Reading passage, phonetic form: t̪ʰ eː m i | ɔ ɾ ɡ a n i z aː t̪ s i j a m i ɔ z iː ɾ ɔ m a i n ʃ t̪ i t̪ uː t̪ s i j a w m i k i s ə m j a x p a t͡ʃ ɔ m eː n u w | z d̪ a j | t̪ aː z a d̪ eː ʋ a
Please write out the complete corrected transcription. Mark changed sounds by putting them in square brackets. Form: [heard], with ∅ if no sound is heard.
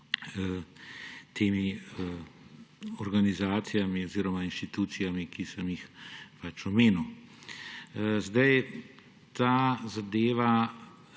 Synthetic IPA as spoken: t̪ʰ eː m i | ɔ ɾ ɡ a n i z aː t̪ s i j a m i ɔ z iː ɾ ɔ m a i n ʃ t̪ i t̪ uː t̪ s i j a [∅] m i k i s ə m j [i] x p a t͡ʃ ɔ m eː n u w | z d̪ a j | t̪ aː z a d̪ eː ʋ a